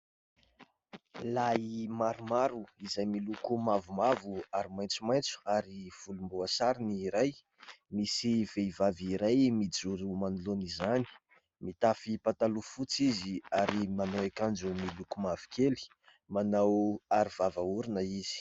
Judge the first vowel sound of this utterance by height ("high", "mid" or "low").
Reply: low